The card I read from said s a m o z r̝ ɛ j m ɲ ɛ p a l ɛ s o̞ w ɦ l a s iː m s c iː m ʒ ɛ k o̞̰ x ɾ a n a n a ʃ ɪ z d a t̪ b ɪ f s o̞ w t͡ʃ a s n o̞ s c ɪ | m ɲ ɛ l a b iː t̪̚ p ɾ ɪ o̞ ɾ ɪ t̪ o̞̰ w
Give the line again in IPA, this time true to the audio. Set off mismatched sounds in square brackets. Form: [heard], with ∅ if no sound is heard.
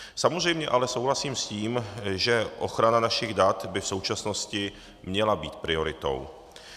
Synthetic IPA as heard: s a m o z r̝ ɛ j m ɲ ɛ [ʔ] a l ɛ s o̞ w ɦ l a s iː m s c iː m ʒ ɛ [ʔ] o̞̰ x ɾ a n a n a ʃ ɪ [ɣ] d a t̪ b ɪ f s o̞ w t͡ʃ a s n o̞ s c ɪ | m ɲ ɛ l a b iː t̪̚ p ɾ ɪ o̞ ɾ ɪ t̪ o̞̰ w